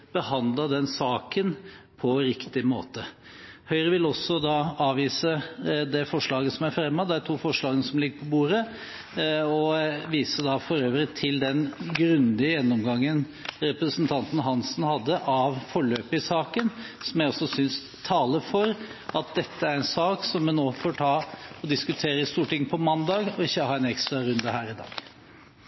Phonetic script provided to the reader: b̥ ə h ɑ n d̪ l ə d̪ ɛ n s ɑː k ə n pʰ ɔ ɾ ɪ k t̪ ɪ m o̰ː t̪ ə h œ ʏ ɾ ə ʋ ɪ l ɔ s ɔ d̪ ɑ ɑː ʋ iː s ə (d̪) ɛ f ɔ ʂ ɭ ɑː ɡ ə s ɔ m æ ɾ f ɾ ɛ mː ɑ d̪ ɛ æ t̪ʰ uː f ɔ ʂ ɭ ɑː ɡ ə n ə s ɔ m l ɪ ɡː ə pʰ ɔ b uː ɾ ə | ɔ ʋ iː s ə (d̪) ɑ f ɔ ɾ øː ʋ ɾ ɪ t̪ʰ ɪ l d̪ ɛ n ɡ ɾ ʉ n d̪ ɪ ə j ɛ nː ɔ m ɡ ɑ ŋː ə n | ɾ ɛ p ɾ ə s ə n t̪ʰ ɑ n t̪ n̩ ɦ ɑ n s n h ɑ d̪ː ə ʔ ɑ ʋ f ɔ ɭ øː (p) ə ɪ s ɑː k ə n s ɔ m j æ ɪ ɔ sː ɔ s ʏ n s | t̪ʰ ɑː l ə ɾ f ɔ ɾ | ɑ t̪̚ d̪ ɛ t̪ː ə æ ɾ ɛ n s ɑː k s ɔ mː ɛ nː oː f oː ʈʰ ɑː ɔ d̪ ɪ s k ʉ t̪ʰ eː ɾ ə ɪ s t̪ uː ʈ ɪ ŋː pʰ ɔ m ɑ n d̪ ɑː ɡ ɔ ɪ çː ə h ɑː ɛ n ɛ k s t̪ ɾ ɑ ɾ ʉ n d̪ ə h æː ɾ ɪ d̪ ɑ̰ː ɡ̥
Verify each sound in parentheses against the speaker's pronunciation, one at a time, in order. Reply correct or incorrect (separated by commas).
correct, correct, correct